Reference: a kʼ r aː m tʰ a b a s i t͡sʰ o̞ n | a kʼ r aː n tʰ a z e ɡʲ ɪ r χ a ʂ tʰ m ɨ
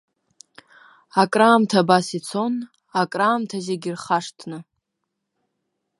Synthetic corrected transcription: a kʼ r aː m tʰ a b a s i t͡sʰ o̞ n | a kʼ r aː m tʰ a z e ɡʲ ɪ r χ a ʂ tʰ n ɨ

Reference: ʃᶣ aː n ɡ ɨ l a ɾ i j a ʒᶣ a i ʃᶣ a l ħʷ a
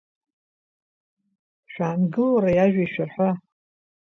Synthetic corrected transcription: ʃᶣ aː n ɡ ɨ l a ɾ a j a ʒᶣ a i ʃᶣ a r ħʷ a

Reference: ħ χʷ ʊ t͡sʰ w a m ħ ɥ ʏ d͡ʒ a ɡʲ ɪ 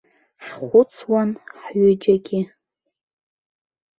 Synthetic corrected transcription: ħ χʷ ʊ t͡sʰ w a n ħ ɥ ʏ d͡ʒ a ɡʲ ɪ

